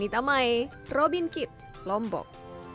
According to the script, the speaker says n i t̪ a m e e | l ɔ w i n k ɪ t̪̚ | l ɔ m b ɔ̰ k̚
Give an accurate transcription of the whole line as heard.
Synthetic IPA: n i t̪ a m a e | r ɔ b i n k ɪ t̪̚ | l ɔ m b ɔ̰ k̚